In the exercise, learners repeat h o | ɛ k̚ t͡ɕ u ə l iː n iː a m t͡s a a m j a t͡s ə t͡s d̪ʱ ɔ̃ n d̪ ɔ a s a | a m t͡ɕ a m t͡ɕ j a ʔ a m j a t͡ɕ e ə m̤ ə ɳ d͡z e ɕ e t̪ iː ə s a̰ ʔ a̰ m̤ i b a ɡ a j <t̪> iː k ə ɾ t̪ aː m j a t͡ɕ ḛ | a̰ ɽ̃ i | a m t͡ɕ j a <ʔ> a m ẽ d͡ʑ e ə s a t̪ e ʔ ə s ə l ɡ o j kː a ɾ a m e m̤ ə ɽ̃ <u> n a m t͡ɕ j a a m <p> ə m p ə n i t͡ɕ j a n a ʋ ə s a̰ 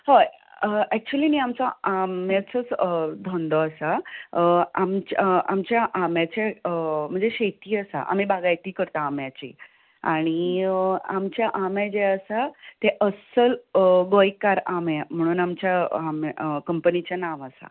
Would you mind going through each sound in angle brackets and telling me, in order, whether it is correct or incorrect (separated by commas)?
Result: correct, correct, incorrect, incorrect